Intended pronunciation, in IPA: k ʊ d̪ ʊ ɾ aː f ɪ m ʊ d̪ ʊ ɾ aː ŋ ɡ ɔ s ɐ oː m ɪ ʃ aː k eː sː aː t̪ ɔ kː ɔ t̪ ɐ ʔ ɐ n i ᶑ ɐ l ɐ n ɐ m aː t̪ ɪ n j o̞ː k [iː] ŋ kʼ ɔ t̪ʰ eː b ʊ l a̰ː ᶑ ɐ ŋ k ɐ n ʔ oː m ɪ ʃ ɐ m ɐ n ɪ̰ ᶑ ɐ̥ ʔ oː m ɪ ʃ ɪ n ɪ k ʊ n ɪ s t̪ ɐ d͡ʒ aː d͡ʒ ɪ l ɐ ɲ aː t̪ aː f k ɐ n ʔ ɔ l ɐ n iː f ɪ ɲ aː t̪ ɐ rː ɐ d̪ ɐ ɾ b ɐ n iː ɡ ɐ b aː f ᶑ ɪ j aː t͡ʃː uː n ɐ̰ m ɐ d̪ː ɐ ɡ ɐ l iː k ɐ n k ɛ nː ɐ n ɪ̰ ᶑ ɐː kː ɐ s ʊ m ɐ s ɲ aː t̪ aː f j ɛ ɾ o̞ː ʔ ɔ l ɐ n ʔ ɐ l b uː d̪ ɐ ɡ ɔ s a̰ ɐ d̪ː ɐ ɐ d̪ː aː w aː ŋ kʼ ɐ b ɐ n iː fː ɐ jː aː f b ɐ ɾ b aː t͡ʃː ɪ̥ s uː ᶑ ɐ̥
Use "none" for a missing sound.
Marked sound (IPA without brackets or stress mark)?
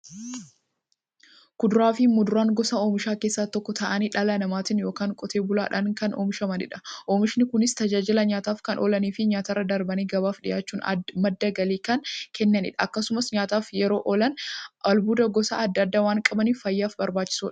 aː